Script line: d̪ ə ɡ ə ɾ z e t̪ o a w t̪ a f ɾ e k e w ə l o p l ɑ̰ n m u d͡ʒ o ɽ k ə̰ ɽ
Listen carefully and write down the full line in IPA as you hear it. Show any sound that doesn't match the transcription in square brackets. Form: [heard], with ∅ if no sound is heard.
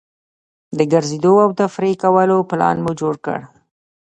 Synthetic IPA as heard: d̪ ə ɡ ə ɾ z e [d̪] o a w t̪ a f ɾ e k [a] w ə l o p l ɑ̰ n m u d͡ʒ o ɽ k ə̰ ɽ